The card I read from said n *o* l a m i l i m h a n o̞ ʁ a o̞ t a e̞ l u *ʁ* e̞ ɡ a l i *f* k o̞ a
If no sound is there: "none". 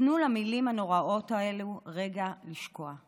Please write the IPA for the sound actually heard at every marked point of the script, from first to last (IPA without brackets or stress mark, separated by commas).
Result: u, ʁ, ʃ